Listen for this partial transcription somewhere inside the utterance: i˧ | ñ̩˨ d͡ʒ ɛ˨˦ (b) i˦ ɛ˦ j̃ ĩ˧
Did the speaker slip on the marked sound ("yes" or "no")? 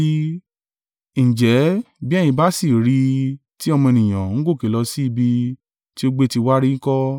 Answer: no